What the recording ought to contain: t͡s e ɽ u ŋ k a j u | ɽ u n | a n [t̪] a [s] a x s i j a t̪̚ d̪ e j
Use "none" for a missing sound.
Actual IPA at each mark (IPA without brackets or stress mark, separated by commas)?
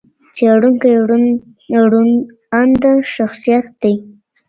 d̪, ʃ